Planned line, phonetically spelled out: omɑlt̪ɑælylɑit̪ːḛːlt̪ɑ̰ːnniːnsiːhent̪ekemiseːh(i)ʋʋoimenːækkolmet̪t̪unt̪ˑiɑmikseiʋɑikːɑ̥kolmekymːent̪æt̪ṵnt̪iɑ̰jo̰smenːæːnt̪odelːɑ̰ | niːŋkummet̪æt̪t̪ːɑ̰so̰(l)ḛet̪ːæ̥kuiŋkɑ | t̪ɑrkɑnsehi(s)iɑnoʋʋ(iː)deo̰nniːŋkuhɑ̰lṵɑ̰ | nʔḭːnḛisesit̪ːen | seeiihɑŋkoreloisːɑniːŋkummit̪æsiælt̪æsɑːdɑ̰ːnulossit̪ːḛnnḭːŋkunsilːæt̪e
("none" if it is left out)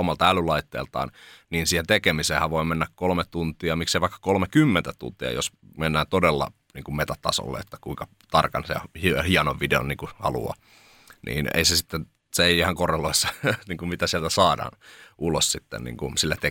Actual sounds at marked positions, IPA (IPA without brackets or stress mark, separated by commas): æ, lː, h, i